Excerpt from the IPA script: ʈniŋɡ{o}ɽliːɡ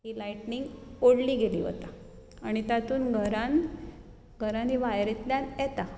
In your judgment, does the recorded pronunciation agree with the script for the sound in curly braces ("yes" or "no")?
yes